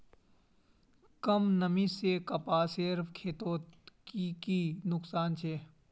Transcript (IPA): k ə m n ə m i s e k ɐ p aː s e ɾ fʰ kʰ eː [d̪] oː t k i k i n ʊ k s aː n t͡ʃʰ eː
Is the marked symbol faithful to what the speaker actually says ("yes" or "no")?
no